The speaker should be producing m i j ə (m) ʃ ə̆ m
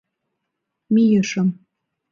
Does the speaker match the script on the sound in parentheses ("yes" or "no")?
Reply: no